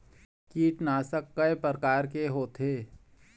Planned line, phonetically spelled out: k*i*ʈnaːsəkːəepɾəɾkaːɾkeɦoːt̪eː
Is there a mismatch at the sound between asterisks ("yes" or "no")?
yes